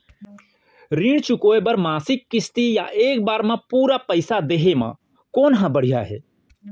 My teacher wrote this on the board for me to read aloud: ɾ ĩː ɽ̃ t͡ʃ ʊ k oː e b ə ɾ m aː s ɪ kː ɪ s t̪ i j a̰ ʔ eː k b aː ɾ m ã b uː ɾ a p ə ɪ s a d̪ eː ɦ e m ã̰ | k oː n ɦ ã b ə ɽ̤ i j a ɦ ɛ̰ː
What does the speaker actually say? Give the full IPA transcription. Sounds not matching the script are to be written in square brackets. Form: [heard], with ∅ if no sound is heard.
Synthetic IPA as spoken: ɾ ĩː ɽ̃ t͡ʃ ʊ k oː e b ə ɾ m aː s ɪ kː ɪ s t̪ i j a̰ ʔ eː k b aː ɾ m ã [p] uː ɾ a p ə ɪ s a d̪ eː ɦ e m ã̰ | k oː n ɦ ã b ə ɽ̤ i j a ɦ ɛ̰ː

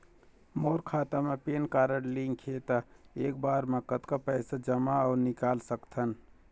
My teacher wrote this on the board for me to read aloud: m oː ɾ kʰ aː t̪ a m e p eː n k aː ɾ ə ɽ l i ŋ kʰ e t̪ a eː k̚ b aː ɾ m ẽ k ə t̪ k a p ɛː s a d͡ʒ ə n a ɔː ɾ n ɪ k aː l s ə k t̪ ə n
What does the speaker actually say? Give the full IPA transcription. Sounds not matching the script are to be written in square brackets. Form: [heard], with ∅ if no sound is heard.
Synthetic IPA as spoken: m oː ɾ kʰ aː t̪ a m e p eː n k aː ɾ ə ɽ l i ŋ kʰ e t̪ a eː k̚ b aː ɾ m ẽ k ə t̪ k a p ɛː s a d͡ʒ ə [m] a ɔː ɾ n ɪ k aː l s ə k [t̪ʰ] ə n

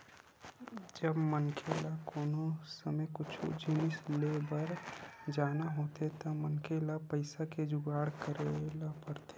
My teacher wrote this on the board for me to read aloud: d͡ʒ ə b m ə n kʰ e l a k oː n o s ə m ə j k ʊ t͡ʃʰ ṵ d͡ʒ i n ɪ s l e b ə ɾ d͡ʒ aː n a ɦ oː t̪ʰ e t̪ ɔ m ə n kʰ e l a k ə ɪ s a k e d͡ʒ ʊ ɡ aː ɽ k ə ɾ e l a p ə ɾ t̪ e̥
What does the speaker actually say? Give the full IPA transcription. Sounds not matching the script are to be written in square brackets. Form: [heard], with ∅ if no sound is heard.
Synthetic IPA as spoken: d͡ʒ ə b m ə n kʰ e l a k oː n o s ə m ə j k ʊ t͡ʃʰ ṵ d͡ʒ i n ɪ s l e b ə ɾ d͡ʒ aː n a ɦ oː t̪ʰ e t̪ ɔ m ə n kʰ e l a [p] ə ɪ s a k e d͡ʒ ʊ ɡ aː ɽ k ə ɾ e l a p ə ɾ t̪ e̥

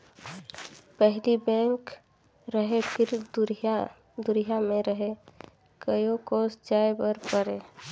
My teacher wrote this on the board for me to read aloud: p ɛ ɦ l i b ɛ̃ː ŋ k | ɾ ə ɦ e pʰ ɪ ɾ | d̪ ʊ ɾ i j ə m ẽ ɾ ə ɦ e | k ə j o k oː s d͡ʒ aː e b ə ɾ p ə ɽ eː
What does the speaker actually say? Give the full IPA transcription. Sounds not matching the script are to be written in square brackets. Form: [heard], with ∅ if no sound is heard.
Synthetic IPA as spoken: p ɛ ɦ l i b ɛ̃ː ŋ k | ɾ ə ɦ e pʰ ɪ ɾ | d̪ ʊ ɾ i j [a] m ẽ ɾ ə ɦ e | k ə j o k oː s d͡ʒ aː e b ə ɾ p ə [ɾ] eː

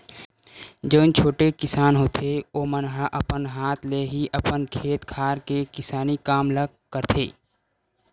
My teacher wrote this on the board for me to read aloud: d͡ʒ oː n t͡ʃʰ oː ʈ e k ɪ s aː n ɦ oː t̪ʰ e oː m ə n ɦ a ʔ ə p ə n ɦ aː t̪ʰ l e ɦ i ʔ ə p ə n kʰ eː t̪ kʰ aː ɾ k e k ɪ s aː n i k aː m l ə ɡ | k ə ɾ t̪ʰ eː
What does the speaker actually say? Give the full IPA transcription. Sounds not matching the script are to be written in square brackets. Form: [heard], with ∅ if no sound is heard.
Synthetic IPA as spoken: d͡ʒ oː n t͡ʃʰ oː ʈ e k ɪ s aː n ɦ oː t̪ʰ e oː m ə n ɦ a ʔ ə p ə n ɦ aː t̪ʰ l e ɦ i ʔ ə p ə n kʰ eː t̪ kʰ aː ɾ k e k ɪ s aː n i k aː m l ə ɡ | k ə ɾ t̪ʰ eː

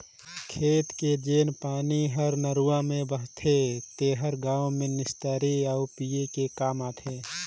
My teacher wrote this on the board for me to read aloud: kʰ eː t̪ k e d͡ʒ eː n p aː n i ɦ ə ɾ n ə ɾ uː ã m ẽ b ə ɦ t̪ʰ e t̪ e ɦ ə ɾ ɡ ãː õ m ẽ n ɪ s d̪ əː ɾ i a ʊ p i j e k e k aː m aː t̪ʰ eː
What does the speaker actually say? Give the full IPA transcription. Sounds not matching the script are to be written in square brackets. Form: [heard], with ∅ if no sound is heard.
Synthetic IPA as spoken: kʰ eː t̪ k e d͡ʒ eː n p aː n i ɦ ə ɾ n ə ɾ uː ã m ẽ b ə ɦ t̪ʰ e t̪ e ɦ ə ɾ ɡ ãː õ m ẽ n ɪ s [t̪] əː ɾ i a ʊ p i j e k e k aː m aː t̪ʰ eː

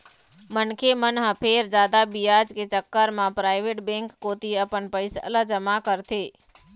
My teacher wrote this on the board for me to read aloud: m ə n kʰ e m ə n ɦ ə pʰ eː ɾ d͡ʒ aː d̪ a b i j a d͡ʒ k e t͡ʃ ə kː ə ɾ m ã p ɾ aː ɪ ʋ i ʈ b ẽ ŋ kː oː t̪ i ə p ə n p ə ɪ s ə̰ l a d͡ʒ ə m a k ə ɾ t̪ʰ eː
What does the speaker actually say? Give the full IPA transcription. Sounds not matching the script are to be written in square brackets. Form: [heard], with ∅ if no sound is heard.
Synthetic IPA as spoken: m ə n kʰ e m ə n ɦ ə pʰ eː ɾ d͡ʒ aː d̪ a b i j a d͡ʒ k e t͡ʃ ə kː ə ɾ m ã p ɾ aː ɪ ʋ [e] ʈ b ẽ ŋ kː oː t̪ i ə p ə n p ə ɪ s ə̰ l [ə] d͡ʒ ə m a k ə ɾ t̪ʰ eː

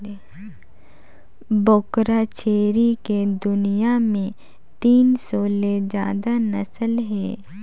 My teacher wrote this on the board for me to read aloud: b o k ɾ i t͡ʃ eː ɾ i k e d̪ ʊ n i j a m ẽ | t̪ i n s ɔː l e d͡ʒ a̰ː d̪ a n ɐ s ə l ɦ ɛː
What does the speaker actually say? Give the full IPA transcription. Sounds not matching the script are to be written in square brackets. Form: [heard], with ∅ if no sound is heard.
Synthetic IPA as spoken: b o k ɾ [a] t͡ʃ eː ɾ i k e d̪ ʊ n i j a m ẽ | t̪ [iː] n s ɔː l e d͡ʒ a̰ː d̪ a n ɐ s ə l ɦ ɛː

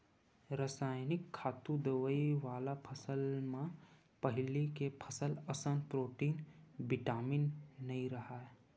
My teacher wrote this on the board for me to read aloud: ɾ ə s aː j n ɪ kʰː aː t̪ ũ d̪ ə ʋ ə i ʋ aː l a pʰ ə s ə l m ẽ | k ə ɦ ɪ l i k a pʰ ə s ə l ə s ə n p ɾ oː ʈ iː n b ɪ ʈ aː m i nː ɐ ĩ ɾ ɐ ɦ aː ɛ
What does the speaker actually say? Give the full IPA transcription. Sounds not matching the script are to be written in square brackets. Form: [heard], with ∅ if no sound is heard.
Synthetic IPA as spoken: ɾ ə s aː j n ɪ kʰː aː t̪ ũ d̪ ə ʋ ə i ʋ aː l a pʰ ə s ə l m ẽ | [p] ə ɦ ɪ l i k [e] pʰ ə s ə l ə s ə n p ɾ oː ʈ iː n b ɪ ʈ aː m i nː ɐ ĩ ɾ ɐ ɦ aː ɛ

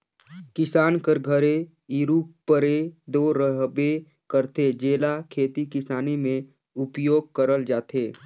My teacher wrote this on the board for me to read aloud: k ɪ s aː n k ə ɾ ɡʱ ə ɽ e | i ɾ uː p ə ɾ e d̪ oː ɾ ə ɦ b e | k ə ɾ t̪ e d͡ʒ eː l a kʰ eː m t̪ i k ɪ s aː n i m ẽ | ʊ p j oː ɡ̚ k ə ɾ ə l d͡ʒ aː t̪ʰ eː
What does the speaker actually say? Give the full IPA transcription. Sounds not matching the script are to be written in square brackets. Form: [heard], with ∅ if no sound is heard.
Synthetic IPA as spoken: k ɪ s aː n k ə ɾ ɡʱ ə [ɾ] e | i ɾ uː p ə ɾ e d̪ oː ɾ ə ɦ b e | k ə ɾ t̪ e d͡ʒ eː l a kʰ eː [∅] t̪ i k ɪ s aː n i m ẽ | ʊ p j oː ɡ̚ k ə ɾ ə l d͡ʒ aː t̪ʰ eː

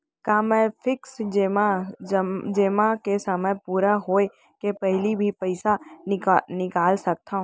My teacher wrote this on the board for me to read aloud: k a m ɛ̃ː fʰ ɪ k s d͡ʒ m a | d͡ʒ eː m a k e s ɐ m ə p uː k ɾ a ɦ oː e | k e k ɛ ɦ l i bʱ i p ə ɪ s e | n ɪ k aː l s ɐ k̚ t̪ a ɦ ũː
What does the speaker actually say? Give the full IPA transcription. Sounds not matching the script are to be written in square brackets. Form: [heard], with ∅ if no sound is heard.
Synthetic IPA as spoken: k a m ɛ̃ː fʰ ɪ k s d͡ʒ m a | d͡ʒ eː m a k e s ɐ m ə p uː [∅] ɾ a ɦ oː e | k e [p] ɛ ɦ l i bʱ i p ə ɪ s [a] | n ɪ k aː l s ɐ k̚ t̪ a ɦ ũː

